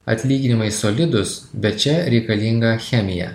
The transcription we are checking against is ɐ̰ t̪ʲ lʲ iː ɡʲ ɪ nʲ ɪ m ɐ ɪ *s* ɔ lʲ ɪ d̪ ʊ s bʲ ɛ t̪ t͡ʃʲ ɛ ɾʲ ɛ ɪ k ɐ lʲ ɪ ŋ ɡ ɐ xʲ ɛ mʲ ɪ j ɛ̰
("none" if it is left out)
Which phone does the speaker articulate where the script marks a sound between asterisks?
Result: s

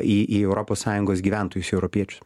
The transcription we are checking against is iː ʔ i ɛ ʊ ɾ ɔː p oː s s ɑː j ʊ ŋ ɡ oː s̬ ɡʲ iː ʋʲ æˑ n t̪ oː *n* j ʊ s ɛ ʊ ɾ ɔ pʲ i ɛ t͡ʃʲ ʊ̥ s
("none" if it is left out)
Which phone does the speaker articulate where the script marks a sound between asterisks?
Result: none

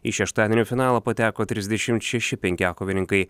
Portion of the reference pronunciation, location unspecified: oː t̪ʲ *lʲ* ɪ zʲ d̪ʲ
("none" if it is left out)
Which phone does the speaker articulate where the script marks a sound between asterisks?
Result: ɾʲ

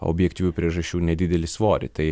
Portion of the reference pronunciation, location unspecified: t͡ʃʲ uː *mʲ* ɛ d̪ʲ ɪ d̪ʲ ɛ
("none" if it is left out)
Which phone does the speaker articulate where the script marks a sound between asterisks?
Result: nʲ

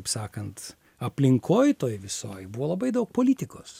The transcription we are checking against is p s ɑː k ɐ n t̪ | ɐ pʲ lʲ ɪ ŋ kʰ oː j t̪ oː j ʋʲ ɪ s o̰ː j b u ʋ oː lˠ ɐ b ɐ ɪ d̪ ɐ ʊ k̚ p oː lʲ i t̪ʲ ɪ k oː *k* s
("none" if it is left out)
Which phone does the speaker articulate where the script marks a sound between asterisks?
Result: none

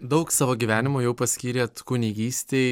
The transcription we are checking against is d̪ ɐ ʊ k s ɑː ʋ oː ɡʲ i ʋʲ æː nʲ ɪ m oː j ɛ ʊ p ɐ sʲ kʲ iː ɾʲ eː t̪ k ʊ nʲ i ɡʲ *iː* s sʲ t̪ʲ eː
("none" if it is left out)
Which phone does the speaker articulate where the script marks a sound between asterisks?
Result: iː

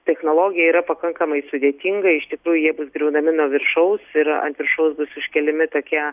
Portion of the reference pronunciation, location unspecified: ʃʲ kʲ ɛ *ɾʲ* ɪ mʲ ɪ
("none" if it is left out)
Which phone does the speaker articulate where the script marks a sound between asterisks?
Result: lʲ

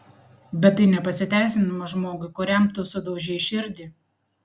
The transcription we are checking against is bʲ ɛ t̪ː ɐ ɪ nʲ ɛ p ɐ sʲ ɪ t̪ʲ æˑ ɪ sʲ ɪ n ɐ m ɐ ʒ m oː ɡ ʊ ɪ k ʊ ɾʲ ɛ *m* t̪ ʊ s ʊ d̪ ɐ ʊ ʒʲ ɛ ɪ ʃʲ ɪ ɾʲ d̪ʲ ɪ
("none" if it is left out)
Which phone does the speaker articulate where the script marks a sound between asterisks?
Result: m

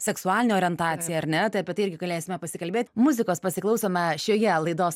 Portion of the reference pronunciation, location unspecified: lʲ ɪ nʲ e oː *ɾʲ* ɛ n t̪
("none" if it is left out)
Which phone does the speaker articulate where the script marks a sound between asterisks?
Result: ɾʲ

